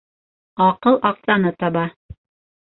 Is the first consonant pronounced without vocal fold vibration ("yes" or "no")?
yes